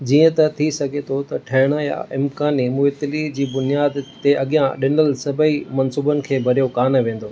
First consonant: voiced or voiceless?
voiced